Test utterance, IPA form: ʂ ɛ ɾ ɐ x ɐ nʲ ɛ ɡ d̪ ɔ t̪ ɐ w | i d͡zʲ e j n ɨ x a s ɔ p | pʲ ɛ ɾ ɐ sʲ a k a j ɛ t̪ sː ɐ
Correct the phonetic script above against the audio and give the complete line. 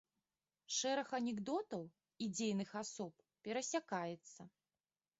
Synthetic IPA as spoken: ʂ ɛ ɾ ɐ x ɐ nʲ ɛ ɡ d̪ ɔ t̪ ɐ w | i d͡zʲ e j n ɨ x a s ɔ p | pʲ ɛ ɾ ɐ sʲ a k a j ɛ t̪ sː ɐ

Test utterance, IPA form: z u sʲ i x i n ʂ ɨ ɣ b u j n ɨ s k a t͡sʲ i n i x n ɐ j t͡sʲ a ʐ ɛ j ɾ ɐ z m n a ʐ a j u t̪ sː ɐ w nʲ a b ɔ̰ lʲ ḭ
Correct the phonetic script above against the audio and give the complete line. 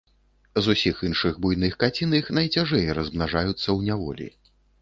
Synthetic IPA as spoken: z u sʲ i x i n ʂ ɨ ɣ b u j n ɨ x k a t͡sʲ i n i x n ɐ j t͡sʲ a ʐ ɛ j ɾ ɐ z m n a ʐ a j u t̪ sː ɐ w nʲ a v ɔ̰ lʲ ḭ

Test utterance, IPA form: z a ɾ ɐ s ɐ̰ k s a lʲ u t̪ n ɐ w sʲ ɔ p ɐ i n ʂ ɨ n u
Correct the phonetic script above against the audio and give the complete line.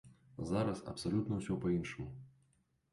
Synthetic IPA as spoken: z a ɾ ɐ s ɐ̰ p s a lʲ u t̪ n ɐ w sʲ ɔ p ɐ i n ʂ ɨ m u

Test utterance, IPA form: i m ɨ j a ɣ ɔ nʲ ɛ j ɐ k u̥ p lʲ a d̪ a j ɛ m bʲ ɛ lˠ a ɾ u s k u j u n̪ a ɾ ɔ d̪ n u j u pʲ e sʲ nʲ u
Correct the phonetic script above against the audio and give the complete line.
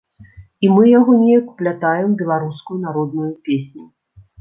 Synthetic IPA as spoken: i m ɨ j a ɣ ɔ nʲ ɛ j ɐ k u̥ p lʲ a t̪ a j ɛ m bʲ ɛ lˠ a ɾ u s k u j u n̪ a ɾ ɔ d̪ n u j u pʲ e sʲ nʲ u

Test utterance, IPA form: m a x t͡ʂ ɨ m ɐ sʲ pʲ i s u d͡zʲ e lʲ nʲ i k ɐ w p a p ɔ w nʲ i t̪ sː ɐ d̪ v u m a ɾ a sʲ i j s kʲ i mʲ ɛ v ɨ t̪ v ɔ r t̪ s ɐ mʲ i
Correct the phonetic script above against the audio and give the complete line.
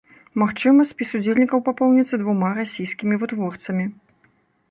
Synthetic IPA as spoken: m a x t͡ʂ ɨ m ɐ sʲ pʲ i s u d͡zʲ e lʲ nʲ i k ɐ w p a p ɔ w nʲ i t̪ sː ɐ d̪ v u m a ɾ a sʲ i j s kʲ i mʲ i v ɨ t̪ v ɔ r t̪ s ɐ mʲ i

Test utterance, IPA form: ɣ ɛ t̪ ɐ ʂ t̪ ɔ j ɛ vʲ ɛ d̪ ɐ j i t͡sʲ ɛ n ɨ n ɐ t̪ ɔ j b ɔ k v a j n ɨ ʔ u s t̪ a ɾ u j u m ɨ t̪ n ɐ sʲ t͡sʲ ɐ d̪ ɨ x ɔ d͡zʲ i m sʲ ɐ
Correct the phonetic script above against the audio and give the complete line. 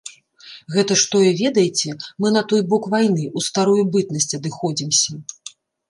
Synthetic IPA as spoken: ɣ ɛ t̪ ɐ ʂ t̪ ɔ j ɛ vʲ ɛ d̪ ɐ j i t͡sʲ ɛ m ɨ n ɐ t̪ ɔ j b ɔ k v a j n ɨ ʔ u s t̪ a ɾ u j u b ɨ t̪ n ɐ sʲ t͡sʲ ɐ d̪ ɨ x ɔ d͡zʲ i m sʲ ɐ

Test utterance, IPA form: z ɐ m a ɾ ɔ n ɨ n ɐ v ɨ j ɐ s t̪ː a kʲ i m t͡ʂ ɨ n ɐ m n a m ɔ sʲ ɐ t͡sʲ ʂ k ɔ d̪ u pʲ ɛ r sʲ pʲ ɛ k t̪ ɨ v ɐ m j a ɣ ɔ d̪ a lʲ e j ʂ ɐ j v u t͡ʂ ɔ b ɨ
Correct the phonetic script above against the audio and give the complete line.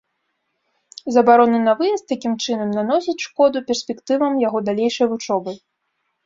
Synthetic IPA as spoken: z ɐ b a ɾ ɔ n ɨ n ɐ v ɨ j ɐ s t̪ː a kʲ i m t͡ʂ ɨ n ɐ m n a n ɔ sʲ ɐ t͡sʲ ʂ k ɔ d̪ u pʲ ɛ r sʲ pʲ ɛ k t̪ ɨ v ɐ m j a ɣ ɔ d̪ a lʲ e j ʂ ɐ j v u t͡ʂ ɔ b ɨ

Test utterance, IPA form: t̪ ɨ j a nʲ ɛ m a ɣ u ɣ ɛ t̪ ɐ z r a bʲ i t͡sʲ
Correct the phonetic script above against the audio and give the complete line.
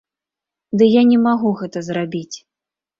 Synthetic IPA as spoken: d̪ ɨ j a nʲ ɛ m a ɣ u ɣ ɛ t̪ ɐ z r a bʲ i t͡sʲ

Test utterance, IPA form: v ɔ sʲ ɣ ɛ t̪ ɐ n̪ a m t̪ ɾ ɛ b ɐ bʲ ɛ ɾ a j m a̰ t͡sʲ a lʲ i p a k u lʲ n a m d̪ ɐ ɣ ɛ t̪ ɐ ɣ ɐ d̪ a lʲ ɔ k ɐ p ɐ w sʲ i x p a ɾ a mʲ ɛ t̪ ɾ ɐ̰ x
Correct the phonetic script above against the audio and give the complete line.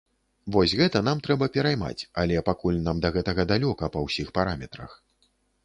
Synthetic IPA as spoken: v ɔ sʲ ɣ ɛ t̪ ɐ n̪ a m t̪ ɾ ɛ b ɐ pʲ ɛ ɾ a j m a̰ t͡sʲ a lʲ ɛ p a k u lʲ n a m d̪ ɐ ɣ ɛ t̪ ɐ ɣ ɐ d̪ a lʲ ɔ k ɐ p ɐ w sʲ i x p a ɾ a mʲ ɛ t̪ ɾ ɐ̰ x

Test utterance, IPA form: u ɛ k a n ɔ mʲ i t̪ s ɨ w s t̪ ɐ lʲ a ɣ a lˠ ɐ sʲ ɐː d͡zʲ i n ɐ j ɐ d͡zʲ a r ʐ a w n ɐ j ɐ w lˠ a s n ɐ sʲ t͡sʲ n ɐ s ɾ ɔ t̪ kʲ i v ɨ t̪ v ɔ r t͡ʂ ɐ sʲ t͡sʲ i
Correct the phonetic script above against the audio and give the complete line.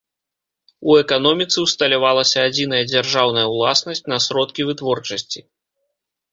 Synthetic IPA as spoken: u ɛ k a n ɔ mʲ i t̪ s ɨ w s t̪ ɐ lʲ a v a lˠ ɐ sʲ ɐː d͡zʲ i n ɐ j ɐ d͡zʲ a r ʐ a w n ɐ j ɐ w lˠ a s n ɐ sʲ t͡sʲ n ɐ s ɾ ɔ t̪ kʲ i v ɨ t̪ v ɔ r t͡ʂ ɐ sʲ t͡sʲ i

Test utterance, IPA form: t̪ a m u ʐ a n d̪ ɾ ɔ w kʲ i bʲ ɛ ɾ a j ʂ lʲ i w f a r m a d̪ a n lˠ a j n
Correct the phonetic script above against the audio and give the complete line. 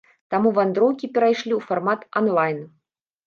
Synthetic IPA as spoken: t̪ a m u v a n d̪ ɾ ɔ w kʲ i pʲ ɛ ɾ a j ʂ lʲ i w f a r m a t̪ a n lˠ a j n

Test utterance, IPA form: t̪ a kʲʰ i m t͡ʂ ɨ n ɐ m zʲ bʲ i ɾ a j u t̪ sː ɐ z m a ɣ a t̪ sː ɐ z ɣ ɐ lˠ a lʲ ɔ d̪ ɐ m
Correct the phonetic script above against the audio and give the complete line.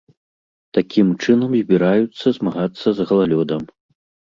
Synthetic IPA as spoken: t̪ a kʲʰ i m t͡ʂ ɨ n ɐ m zʲ bʲ i ɾ a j u t̪ sː ɐ z m a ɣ a t̪ sː ɐ z ɣ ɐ lˠ a lʲ ɔ d̪ ɐ m

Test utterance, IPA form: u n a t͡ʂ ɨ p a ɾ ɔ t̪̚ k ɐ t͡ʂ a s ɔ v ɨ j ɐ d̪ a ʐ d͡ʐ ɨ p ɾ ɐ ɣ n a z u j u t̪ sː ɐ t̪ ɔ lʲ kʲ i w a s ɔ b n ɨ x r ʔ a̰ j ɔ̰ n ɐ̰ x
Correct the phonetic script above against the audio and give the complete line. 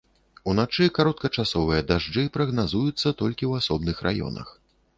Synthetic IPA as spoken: u n a t͡ʂ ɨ k a ɾ ɔ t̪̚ k ɐ t͡ʂ a s ɔ v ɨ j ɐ d̪ a ʐ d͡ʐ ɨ p ɾ ɐ ɣ n a z u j u t̪ sː ɐ t̪ ɔ lʲ kʲ i w a s ɔ b n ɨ x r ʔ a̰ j ɔ̰ n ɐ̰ x

